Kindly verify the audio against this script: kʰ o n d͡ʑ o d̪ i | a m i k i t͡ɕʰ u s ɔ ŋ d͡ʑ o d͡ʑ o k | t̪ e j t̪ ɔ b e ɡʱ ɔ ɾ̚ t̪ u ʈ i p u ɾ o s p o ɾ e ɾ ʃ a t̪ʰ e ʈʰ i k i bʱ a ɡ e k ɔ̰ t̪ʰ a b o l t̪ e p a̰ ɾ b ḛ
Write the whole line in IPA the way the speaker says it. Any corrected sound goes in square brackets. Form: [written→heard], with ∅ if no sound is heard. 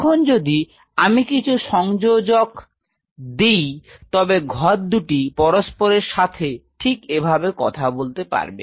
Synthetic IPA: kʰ o n d͡ʑ o d̪ i | a m i k i t͡ɕʰ u [s→ʃ] ɔ ŋ d͡ʑ o d͡ʑ o k | [t̪→d̪] e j t̪ ɔ b e ɡʱ ɔ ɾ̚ [t̪→d̪] u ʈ i p [u→ɔ] ɾ o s p o ɾ e ɾ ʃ a t̪ʰ e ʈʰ i k [i→e] bʱ a [ɡ→b] e k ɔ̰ t̪ʰ a b o l t̪ e p a̰ ɾ b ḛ